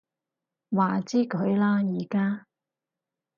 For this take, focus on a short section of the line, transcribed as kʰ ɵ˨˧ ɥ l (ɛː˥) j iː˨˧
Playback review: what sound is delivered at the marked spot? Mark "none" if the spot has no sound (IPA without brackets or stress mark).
aː˥